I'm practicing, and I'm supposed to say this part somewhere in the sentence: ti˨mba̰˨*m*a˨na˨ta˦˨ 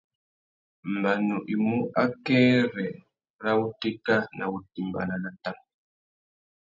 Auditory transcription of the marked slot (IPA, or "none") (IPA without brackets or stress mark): n